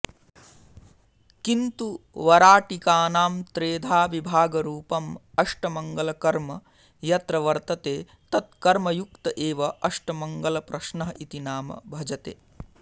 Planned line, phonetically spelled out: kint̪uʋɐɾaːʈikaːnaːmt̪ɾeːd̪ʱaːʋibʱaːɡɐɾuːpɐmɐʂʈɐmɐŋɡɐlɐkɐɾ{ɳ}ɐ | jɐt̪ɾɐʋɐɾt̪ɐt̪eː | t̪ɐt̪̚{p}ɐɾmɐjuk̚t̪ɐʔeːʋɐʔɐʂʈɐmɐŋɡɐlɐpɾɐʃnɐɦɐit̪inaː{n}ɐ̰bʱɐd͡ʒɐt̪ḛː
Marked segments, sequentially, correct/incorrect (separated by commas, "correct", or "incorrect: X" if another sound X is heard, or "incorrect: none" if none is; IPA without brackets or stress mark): incorrect: m, incorrect: k, incorrect: m